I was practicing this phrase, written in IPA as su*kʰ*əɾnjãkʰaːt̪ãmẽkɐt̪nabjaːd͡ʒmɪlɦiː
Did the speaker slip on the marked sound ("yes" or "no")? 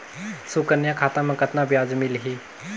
yes